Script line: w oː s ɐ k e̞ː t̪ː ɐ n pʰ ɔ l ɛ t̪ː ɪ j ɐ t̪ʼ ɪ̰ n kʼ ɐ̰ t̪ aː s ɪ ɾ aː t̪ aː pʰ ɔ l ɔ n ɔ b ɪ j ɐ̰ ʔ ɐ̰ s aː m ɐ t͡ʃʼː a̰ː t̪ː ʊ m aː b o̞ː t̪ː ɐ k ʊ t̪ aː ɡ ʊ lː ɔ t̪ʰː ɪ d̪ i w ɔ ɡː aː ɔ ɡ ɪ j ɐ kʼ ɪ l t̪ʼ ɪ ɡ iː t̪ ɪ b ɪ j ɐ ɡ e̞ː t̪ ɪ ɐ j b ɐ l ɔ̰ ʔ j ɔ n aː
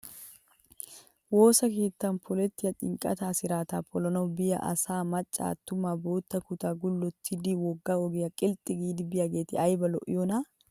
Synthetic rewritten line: w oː s ɐ k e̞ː t̪ː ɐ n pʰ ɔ l ɛ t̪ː ɪ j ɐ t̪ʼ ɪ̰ ŋ kʼ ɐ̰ t̪ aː s ɪ ɾ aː t̪ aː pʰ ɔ l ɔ n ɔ b ɪ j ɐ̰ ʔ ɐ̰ s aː m ɐ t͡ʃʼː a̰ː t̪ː ʊ m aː b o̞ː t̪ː ɐ k ʊ t̪ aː ɡ ʊ lː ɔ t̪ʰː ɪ d̪ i w ɔ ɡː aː ɔ ɡ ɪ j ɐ kʼ ɪ l t̪ʼ ɪ ɡ iː d̪ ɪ b ɪ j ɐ ɡ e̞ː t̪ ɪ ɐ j b ɐ l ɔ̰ ʔ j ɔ n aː